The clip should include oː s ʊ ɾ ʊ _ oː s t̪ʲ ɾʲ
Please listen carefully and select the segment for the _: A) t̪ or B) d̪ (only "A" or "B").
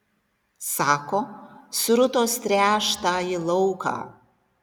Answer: A